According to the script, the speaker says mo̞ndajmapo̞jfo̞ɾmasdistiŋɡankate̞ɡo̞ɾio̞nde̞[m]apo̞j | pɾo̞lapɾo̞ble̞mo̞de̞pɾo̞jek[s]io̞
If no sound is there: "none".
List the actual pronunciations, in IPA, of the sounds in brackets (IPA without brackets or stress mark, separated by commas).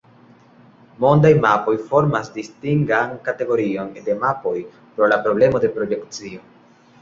m, t͡s